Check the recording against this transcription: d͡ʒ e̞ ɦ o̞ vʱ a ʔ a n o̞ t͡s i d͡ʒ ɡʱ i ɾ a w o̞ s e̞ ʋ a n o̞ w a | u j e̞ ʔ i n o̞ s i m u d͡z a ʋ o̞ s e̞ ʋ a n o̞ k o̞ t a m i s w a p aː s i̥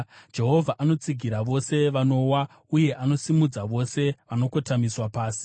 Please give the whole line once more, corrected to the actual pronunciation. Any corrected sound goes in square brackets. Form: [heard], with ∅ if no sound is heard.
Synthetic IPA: d͡ʒ e̞ ɦ o̞ vʱ a ʔ a n o̞ t͡s i [∅] ɡʱ i ɾ a [ʋ] o̞ s e̞ ʋ a n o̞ w a | u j e̞ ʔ [a] n o̞ s i m u d͡z a ʋ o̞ s e̞ ʋ a n o̞ k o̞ t a m i s w a p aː s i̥